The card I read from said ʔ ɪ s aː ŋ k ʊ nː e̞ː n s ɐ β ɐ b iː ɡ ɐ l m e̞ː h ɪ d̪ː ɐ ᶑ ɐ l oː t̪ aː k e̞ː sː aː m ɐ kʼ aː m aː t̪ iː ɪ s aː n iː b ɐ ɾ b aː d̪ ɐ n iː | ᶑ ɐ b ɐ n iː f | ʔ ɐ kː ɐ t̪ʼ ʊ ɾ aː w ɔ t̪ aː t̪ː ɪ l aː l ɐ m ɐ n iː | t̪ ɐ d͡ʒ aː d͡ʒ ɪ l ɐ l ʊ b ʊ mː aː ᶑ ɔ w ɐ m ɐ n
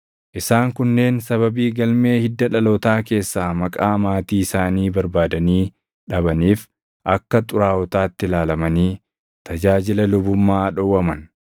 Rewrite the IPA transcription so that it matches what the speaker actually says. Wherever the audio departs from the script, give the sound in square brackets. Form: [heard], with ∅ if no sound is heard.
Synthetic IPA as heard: ʔ ɪ s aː ŋ k ʊ nː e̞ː n s ɐ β ɐ b iː ɡ ɐ l m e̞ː h ɪ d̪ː ɐ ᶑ ɐ l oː t̪ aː k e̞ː sː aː m ɐ kʼ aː m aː t̪ iː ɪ s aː n iː b ɐ ɾ b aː d̪ ɐ n iː | ᶑ ɐ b ɐ n iː f | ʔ ɐ kː ɐ t̪ʼ ʊ ɾ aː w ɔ t̪ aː t̪ː ɪ l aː l ɐ m ɐ n iː | t̪ ɐ d͡ʒ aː d͡ʒ ɪ l ɐ l ʊ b ʊ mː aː ᶑ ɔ w ɐ m ɐ n